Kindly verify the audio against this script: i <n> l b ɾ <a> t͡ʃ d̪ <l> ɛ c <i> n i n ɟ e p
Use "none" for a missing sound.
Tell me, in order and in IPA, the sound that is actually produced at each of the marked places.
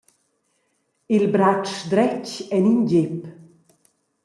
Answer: none, a, ɾ, ɛ

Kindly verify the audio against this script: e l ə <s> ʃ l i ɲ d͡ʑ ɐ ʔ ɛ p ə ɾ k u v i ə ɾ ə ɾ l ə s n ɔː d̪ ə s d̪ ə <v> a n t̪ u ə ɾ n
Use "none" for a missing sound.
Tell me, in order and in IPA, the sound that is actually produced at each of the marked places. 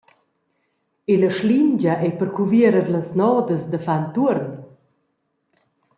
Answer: none, f

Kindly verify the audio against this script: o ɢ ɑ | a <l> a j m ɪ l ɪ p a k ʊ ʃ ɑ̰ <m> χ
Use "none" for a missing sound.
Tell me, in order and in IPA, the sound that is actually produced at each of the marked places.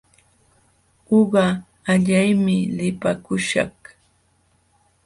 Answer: ʎ, none

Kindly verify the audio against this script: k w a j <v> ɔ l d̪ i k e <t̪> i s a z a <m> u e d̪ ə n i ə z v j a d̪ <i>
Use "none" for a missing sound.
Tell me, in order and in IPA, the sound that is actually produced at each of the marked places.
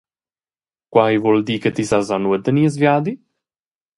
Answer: v, t̪, n, i

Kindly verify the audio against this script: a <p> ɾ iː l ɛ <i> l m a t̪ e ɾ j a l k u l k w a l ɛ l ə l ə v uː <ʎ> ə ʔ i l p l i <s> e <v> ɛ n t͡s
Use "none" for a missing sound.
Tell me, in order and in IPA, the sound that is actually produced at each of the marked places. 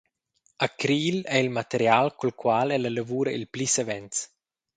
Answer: k, i, ɾ, s, v

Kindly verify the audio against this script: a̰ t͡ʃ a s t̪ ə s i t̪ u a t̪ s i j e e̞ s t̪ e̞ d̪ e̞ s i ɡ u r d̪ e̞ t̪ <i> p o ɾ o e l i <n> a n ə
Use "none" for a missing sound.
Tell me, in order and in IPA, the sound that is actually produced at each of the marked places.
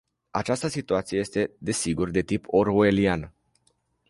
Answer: i, none

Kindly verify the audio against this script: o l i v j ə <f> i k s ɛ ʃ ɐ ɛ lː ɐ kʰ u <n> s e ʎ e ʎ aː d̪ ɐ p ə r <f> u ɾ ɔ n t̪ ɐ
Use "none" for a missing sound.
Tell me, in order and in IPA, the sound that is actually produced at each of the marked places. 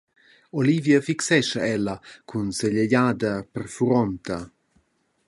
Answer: f, n, f

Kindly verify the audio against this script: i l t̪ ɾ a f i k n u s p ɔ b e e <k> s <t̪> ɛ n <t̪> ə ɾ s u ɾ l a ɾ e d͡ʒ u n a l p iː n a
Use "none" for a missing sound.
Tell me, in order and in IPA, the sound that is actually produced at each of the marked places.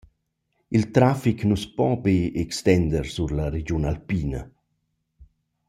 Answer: k, t̪, d̪

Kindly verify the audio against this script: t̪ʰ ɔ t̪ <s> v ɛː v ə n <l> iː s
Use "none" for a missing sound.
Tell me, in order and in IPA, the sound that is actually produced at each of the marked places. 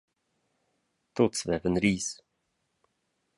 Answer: s, ɾ

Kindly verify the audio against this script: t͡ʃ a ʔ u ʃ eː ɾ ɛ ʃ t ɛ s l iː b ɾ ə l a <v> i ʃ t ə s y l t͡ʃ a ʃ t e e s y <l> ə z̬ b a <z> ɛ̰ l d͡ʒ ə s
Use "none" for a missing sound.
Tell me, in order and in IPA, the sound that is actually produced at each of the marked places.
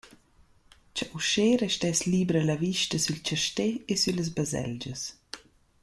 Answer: v, l, z

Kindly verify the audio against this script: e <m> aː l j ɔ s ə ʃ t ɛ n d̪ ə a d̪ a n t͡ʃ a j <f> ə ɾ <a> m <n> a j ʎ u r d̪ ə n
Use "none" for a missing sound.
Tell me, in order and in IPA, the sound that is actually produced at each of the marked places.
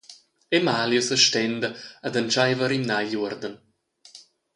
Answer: m, v, i, n

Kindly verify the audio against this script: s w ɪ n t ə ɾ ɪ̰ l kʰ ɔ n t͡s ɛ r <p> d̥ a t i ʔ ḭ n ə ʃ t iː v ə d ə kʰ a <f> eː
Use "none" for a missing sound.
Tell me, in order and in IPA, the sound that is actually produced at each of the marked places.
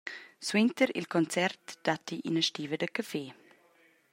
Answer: t, f

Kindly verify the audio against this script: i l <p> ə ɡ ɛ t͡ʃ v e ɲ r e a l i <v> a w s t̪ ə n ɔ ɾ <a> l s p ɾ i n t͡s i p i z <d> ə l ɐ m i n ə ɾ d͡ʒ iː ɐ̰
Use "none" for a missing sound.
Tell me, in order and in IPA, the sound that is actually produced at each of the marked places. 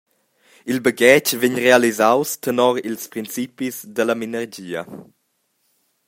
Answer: b, z, i, d

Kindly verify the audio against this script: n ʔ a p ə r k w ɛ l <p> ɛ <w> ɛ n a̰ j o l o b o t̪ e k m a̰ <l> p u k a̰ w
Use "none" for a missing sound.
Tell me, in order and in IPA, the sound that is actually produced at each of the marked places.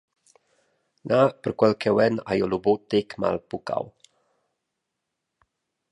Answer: k, w, l

